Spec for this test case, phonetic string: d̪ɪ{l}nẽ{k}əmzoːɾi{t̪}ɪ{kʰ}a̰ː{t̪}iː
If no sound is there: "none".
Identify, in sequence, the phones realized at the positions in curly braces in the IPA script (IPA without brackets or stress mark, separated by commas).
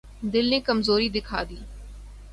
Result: l, k, d̪, kʰ, d̪